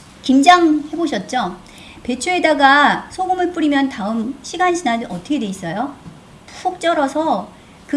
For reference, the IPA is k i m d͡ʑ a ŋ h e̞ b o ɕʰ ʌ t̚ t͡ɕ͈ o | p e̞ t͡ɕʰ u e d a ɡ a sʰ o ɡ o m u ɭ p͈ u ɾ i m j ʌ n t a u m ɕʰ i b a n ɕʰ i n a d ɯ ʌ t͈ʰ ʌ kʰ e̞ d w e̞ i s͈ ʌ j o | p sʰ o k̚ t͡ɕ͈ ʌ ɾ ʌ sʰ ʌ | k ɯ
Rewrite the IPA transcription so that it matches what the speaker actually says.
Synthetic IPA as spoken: k i m d͡ʑ a ŋ h e̞ b o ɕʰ ʌ t̚ t͡ɕ͈ o | p e̞ t͡ɕʰ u e d a ɡ a sʰ o ɡ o m ɯ ɭ p͈ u ɾ i m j ʌ n t a ɯ m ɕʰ i ɡ a n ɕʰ i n a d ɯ ʌ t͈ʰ ʌ kʰ e̞ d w e̞ i s͈ ʌ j o | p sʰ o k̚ t͡ɕ͈ ʌ ɾ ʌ sʰ ʌ | k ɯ